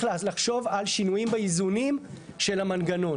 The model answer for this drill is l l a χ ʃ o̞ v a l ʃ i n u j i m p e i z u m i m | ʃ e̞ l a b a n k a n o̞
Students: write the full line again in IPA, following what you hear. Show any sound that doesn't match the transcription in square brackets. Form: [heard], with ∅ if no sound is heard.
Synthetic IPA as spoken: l l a χ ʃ o̞ v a l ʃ i n u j i m [b] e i z u [n] i m | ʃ e̞ l a [m] a n [ɡ] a n o̞